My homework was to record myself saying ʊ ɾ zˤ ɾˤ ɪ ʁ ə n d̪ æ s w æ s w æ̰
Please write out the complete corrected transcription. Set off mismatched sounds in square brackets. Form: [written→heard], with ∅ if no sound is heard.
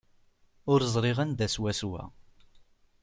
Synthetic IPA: ʊ ɾ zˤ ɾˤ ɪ ʁ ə n d̪ æ s w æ s w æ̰